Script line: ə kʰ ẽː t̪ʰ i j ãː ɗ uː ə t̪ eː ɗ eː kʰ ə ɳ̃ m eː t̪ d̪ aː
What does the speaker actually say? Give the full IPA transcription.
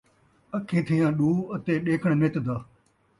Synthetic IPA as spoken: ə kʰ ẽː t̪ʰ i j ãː ɗ uː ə t̪ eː ɗ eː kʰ ə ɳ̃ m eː t̪ d̪ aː